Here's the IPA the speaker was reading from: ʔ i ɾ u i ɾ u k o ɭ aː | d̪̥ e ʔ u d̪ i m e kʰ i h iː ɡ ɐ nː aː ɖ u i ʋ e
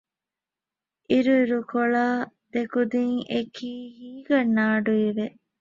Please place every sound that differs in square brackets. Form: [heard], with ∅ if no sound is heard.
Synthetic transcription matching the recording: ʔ i ɾ u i ɾ u k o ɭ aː | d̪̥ e [k] u d̪ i [ŋ] e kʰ [iː] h iː ɡ ɐ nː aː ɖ u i ʋ e